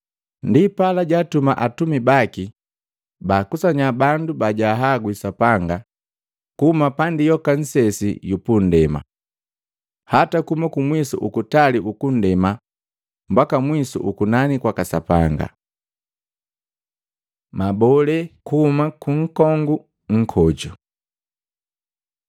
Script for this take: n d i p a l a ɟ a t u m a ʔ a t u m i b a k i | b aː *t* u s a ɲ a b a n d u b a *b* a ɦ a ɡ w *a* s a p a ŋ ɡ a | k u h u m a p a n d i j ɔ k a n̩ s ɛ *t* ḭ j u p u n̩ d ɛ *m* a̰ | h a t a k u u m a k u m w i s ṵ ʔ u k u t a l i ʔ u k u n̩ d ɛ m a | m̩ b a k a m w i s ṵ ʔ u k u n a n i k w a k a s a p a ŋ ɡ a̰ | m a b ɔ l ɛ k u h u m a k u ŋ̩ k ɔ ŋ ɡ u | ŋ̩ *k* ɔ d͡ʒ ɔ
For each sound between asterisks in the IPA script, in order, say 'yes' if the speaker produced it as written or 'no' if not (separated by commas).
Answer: no, no, no, no, yes, no